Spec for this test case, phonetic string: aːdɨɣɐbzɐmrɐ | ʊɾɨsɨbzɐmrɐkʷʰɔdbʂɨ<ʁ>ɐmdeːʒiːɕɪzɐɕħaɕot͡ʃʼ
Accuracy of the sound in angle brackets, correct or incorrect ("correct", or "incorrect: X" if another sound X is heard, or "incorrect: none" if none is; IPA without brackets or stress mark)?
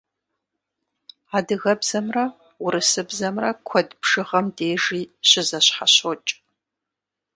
correct